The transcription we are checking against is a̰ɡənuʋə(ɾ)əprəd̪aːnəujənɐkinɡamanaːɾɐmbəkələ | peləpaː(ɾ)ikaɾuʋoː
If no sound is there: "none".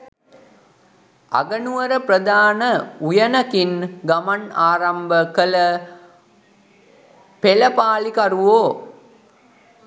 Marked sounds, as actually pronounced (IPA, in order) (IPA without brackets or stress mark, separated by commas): ɾ, l